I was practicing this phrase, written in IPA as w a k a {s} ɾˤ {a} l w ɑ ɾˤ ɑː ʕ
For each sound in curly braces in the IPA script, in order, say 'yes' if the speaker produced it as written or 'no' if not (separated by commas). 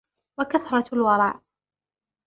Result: no, no